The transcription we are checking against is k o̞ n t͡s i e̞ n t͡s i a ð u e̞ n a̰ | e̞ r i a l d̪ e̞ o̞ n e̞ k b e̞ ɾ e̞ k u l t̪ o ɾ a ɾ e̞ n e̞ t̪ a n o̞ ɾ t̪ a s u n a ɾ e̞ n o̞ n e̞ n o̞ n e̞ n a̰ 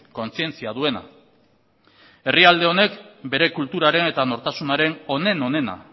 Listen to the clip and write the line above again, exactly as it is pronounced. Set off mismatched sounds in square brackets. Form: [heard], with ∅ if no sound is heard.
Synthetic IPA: k o̞ n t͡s i e̞ n t͡s i a ð u e̞ n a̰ | e̞ r i a l d̪ e̞ o̞ n e̞ k b e̞ ɾ e̞ k u l t̪ [u] ɾ a ɾ e̞ n e̞ t̪ a n o̞ ɾ t̪ a s u n a ɾ e̞ n o̞ n e̞ n o̞ n e̞ n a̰